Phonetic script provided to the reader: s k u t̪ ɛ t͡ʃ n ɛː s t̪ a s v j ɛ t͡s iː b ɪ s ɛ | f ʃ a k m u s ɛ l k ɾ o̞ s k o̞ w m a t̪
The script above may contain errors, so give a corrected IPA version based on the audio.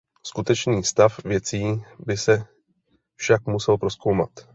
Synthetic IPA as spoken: s k u t̪ ɛ t͡ʃ n iː s t̪ a f v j ɛ t͡s iː b ɪ s ɛ | f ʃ a k m u s ɛ l p ɾ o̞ s k o̞ w m a t̪